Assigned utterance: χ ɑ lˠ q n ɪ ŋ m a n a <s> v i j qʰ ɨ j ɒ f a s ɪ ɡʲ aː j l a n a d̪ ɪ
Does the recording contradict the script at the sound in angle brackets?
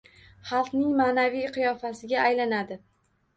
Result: yes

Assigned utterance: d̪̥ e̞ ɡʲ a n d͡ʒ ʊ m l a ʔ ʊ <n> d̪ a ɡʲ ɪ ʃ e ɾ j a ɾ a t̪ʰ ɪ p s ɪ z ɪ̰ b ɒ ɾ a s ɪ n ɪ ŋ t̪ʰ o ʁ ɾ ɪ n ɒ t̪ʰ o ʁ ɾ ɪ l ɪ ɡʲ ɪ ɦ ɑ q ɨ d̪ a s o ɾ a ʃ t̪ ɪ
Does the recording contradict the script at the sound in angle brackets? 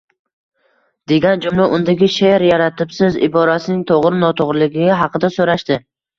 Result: no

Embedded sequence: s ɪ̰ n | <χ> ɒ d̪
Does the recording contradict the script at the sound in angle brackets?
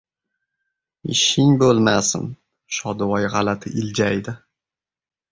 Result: yes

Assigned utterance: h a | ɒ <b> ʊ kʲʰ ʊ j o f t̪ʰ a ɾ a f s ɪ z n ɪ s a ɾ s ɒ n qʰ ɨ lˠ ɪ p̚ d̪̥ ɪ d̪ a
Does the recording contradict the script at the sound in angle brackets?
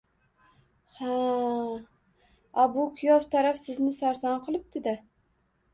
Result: no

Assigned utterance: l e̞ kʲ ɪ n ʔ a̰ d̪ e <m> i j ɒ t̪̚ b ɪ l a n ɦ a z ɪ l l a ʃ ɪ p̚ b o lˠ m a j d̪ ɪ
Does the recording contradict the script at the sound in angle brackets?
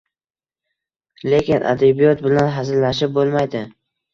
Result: yes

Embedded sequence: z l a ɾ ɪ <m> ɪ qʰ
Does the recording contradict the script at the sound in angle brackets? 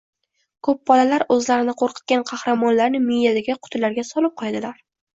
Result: yes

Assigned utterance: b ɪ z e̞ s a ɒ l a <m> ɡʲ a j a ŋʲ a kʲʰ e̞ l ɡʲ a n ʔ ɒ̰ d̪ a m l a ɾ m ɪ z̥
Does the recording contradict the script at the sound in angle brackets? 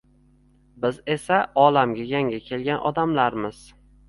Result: no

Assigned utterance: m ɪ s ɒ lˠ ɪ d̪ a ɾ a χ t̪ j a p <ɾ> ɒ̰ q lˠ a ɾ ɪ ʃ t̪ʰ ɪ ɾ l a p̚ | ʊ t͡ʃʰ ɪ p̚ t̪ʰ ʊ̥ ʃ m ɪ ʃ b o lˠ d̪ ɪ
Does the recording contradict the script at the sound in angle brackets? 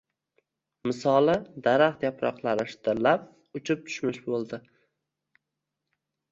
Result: no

